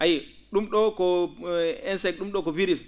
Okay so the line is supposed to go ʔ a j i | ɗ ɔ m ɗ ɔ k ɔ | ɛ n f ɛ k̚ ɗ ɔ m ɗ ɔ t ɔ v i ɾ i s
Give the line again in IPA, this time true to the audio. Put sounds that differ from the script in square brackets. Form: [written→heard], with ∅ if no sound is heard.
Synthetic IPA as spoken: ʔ a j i | ɗ [ɔ→u] m ɗ ɔ k ɔ | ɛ n [f→s] ɛ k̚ ɗ [ɔ→u] m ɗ ɔ [t→k] ɔ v i ɾ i s